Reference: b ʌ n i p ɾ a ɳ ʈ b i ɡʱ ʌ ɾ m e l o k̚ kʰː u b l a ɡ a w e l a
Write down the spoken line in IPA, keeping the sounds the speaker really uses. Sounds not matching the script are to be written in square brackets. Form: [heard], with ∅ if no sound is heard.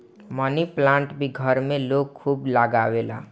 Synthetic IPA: [m] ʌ n i p [l] a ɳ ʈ b i ɡʱ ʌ ɾ m e l o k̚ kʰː u b l a ɡ a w e l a

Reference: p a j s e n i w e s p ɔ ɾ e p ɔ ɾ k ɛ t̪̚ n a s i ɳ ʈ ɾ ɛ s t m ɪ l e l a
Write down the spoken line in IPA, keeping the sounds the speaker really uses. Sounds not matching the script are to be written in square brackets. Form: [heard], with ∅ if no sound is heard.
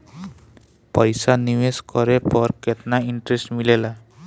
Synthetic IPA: p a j s [a] n i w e s [k] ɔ ɾ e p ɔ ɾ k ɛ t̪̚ n a [∅] i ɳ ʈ ɾ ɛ s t m [i] l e l a

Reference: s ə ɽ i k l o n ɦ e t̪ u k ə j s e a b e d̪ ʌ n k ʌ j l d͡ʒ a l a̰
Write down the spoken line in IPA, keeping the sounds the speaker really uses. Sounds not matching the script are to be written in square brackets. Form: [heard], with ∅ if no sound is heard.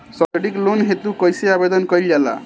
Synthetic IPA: s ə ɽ i k l o n ɦ e t̪ u k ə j s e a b e d̪ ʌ n k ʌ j l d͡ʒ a l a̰

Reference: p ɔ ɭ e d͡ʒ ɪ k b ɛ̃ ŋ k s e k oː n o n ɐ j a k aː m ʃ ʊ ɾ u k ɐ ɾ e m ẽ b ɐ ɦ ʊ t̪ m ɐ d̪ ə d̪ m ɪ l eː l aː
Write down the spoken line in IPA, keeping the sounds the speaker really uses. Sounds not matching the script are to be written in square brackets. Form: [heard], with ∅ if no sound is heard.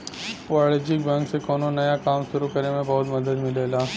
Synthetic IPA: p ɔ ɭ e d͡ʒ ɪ k b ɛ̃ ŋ k s e k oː n o n ɐ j a k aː m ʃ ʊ ɾ u k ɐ ɾ e m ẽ b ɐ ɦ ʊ t̪ m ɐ d̪ ə d̪ m ɪ l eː l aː

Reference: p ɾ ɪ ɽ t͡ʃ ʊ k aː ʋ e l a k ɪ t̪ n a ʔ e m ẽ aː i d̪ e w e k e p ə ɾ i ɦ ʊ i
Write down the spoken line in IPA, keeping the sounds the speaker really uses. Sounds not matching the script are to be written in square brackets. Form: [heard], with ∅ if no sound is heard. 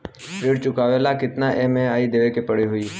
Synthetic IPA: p ɾ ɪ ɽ t͡ʃ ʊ k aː ʋ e l a k ɪ t̪ n a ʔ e m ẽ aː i d̪ e [ʋ] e k e p ə [ɽ] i ɦ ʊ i

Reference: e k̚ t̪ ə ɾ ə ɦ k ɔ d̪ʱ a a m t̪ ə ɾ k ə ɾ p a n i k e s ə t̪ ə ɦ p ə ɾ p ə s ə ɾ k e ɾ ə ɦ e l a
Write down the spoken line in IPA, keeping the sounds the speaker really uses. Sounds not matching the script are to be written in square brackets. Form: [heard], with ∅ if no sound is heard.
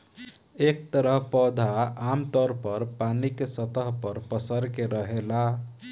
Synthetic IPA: e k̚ t̪ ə ɾ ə ɦ [p] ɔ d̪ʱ a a m t̪ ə ɾ [p] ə ɾ p a n i k e s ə t̪ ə ɦ p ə ɾ p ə s ə ɾ k e ɾ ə ɦ e l a

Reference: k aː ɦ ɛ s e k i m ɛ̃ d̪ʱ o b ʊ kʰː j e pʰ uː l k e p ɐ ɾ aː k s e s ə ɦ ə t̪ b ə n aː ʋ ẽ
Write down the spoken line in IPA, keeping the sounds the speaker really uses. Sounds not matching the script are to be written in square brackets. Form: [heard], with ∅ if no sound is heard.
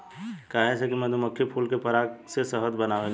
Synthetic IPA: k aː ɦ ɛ s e k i m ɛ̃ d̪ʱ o [m] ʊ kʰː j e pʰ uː l k e p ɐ ɾ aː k s e s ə ɦ ə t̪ b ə n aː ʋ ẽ

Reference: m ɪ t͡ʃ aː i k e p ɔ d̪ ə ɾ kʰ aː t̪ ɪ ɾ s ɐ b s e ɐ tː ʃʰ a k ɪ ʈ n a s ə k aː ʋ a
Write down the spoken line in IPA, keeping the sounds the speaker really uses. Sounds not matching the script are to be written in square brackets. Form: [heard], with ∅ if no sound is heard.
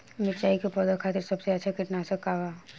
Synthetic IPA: m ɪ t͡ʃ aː i k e p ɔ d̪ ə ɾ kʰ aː t̪ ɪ ɾ s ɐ b s e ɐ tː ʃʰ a k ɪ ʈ n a s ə k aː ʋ a

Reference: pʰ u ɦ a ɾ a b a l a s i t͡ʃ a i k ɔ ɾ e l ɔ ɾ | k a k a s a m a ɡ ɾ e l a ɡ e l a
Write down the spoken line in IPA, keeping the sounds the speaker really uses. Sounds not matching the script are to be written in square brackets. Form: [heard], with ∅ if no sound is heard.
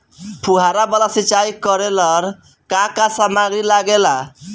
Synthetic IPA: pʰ u ɦ a ɾ a b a l a s i t͡ʃ a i k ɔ ɾ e l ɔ ɾ | k a k a s a m a ɡ ɾ [i] l a ɡ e l a

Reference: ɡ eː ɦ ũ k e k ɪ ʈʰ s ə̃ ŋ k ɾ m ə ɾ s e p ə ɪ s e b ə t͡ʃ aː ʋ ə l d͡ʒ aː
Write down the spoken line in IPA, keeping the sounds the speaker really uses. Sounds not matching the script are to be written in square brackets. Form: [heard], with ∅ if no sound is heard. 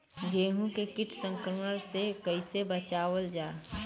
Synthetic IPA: ɡ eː ɦ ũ k e k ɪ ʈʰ s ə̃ ŋ k ɾ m ə ɾ s e [k] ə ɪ s e b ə t͡ʃ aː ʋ ə l d͡ʒ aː

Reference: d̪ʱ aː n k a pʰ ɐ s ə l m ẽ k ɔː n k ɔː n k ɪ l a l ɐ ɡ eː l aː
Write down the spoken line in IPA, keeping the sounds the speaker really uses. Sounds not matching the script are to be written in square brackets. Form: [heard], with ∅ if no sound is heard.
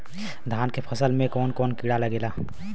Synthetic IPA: d̪ʱ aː n k [e] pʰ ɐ s ə l m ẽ k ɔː n k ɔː n k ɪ [ɽ] a l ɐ ɡ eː l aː

